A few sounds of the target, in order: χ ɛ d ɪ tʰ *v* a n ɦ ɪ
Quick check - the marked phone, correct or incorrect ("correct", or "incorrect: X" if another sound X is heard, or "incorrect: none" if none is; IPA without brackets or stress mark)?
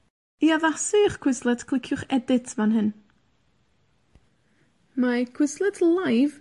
correct